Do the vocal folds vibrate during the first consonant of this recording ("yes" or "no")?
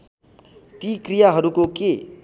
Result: no